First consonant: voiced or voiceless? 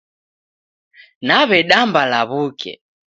voiced